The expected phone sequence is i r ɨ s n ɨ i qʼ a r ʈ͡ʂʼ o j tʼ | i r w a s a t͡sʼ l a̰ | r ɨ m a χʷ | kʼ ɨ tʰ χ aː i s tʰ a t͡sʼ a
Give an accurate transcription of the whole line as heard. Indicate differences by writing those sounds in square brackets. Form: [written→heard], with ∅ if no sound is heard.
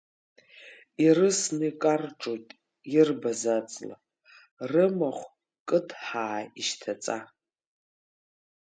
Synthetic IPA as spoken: i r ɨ s n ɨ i [qʼ→kʼ] a r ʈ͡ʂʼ o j tʼ | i r [w→b] a [s→z] a t͡sʼ l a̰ | r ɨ m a χʷ | kʼ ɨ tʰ [χ→ħ] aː i [s→ʃ] tʰ a t͡sʼ a